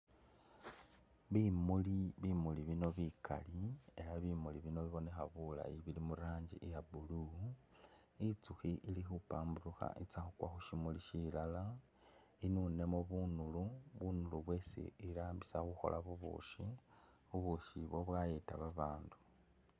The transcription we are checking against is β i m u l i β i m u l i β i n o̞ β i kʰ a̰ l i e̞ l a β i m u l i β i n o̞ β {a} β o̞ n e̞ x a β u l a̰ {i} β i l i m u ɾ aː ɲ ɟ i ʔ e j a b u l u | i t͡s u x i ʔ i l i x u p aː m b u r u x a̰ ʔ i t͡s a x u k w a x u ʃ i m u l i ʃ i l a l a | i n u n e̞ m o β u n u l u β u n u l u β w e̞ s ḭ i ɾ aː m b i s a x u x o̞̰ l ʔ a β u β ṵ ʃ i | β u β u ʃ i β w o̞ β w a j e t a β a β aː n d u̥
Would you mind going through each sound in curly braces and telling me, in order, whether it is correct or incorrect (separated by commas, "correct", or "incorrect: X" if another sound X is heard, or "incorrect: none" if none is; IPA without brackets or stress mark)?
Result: incorrect: i, correct